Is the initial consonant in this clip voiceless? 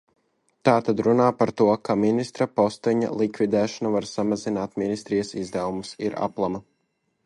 yes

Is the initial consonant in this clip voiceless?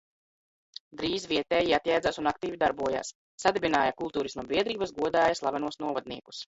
no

